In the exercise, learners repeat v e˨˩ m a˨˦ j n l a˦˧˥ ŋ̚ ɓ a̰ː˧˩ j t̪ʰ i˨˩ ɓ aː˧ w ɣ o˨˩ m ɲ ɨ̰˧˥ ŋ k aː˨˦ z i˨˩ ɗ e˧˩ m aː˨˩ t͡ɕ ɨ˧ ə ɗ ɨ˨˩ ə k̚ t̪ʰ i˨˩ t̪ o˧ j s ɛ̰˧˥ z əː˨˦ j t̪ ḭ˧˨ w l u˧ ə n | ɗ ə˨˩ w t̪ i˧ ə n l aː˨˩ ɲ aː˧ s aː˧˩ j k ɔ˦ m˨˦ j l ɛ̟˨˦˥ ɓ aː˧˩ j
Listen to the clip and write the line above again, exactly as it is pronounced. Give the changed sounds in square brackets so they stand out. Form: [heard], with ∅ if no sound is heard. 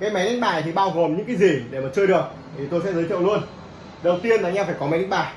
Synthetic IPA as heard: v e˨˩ m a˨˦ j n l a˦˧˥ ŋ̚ ɓ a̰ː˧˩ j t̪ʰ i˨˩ ɓ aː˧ w ɣ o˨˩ m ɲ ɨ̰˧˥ ŋ k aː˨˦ z i˨˩ ɗ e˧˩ m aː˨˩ t͡ɕ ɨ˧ ə ɗ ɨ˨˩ ə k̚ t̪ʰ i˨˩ t̪ o˧ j s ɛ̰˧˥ z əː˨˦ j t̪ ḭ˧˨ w l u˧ ə n | ɗ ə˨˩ w t̪ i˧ ə n l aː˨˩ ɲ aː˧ [f] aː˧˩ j k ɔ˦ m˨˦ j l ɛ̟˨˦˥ ɓ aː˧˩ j